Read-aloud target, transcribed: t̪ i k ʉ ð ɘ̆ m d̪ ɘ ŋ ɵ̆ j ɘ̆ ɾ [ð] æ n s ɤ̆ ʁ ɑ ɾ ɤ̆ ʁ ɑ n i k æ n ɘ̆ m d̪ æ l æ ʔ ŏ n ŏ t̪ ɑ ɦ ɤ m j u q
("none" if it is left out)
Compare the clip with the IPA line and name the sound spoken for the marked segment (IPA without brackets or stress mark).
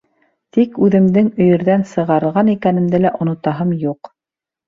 ð